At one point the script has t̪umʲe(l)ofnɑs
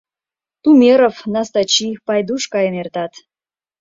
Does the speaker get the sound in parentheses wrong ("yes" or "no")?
yes